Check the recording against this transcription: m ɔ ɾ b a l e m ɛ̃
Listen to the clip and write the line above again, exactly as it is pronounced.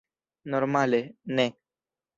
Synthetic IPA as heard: n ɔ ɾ m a l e n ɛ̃